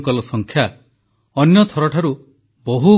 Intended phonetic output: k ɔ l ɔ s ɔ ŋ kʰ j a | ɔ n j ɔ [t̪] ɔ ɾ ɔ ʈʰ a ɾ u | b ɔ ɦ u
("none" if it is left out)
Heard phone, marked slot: t̪ʰ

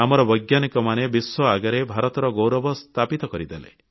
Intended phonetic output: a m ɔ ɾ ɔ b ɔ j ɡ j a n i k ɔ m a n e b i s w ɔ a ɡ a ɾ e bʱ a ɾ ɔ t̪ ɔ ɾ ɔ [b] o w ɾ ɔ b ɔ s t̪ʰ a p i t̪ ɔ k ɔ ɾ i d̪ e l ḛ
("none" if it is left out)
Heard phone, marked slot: ɡ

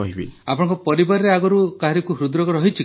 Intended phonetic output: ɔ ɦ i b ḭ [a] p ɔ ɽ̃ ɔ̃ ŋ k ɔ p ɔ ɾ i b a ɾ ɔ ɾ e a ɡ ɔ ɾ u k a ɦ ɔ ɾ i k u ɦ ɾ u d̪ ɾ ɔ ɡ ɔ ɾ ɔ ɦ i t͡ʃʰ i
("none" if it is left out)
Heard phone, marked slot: a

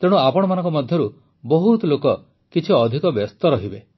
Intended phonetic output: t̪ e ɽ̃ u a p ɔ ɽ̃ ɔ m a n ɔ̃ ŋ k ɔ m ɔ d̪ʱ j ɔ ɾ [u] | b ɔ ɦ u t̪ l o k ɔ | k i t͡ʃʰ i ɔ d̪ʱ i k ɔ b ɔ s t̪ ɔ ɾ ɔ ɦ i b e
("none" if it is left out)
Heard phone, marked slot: u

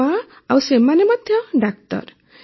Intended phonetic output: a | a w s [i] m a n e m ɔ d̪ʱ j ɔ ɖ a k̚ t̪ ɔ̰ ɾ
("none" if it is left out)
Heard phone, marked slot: e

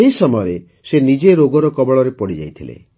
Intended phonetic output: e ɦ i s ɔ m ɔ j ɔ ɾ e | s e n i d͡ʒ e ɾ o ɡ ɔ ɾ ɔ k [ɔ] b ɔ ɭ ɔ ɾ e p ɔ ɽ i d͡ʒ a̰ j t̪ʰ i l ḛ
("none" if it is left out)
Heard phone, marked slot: ɔ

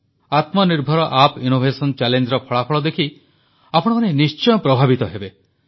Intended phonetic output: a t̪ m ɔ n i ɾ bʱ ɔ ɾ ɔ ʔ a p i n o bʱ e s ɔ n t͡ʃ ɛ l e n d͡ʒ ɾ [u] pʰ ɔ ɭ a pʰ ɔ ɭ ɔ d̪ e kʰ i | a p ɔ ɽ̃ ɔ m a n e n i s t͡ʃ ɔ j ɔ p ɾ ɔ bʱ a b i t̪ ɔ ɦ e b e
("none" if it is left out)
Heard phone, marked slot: ɔ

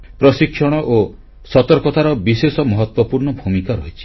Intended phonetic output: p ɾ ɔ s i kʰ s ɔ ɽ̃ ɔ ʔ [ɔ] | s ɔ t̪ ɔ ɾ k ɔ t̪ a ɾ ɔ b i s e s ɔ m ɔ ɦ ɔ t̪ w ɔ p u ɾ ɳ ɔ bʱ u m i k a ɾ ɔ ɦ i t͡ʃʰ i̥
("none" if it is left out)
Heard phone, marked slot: o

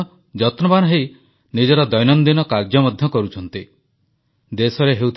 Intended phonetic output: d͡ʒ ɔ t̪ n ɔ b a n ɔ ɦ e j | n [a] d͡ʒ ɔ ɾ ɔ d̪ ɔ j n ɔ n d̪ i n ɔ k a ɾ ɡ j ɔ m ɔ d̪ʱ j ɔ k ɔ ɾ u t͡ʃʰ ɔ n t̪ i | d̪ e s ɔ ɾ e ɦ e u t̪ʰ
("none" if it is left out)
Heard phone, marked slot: i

